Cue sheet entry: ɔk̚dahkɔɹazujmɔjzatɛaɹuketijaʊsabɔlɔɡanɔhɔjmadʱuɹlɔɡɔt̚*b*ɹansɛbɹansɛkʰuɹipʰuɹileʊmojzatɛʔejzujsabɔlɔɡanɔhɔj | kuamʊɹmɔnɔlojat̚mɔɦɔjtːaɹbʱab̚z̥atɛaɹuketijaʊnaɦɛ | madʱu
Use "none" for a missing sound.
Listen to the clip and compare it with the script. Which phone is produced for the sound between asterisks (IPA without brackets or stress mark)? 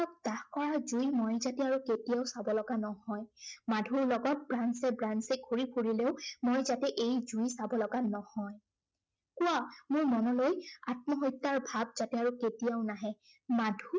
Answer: b